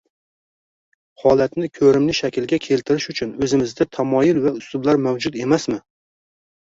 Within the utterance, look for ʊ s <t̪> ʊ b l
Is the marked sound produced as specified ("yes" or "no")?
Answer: yes